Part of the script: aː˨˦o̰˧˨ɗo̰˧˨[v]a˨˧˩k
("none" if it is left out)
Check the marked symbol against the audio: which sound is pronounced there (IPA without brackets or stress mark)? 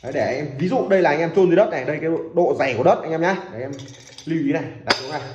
z